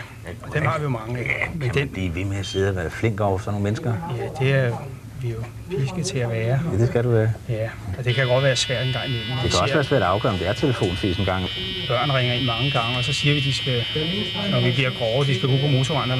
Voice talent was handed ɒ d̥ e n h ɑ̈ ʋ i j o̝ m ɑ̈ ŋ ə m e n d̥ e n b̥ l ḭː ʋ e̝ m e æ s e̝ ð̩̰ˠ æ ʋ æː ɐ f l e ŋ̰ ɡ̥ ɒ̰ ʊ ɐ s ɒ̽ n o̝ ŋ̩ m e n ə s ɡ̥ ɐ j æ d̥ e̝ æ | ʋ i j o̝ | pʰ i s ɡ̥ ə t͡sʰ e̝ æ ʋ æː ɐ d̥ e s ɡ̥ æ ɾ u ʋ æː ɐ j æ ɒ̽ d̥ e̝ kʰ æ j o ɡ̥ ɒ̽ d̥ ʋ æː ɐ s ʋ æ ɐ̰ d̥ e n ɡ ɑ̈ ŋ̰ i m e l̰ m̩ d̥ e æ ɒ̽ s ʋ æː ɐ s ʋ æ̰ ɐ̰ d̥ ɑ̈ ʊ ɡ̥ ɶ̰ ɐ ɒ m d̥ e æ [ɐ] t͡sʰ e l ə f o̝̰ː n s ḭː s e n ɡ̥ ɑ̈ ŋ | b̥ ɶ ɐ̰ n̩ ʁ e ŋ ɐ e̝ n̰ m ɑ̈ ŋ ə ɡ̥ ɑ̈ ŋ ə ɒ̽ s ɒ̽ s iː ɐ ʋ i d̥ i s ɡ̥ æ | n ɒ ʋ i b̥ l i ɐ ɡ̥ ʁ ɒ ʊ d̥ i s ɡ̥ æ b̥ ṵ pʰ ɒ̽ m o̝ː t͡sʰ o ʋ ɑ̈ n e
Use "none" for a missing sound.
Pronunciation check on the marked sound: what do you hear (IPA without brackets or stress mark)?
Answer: ɐ